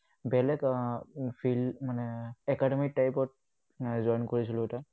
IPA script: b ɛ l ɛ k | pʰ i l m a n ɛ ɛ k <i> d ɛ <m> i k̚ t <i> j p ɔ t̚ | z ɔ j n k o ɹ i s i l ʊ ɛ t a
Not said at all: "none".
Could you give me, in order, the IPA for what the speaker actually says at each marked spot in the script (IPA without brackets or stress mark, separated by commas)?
a, m, a